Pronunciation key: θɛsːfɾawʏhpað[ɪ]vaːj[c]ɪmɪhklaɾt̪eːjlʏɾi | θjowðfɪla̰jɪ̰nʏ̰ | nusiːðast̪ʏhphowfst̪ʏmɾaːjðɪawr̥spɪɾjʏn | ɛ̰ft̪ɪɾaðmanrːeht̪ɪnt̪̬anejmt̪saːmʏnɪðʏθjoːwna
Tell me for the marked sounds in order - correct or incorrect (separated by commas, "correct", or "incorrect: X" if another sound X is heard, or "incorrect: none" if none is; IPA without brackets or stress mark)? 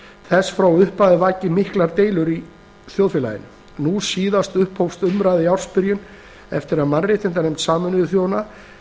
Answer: correct, correct